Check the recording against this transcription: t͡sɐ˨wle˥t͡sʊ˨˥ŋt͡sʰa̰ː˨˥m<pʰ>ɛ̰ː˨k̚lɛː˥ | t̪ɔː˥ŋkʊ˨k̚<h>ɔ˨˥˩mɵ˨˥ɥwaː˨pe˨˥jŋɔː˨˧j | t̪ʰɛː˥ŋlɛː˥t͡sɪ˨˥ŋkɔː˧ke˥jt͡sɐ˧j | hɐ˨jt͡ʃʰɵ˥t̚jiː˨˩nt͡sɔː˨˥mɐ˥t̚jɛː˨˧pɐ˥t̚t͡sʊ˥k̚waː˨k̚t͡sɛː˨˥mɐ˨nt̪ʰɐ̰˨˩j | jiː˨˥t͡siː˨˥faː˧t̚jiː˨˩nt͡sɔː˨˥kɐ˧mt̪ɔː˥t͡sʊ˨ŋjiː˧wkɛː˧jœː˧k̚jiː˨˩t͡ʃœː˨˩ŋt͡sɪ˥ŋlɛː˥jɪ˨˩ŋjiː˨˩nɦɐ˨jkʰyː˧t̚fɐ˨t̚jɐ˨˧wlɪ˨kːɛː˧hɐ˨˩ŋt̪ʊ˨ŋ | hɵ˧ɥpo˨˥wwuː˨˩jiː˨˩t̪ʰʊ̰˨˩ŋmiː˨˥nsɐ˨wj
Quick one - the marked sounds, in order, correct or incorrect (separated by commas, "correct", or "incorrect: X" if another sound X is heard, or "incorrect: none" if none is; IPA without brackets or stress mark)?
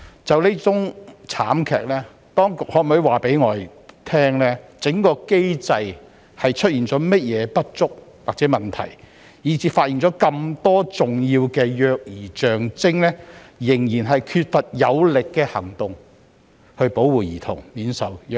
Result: incorrect: kʰ, correct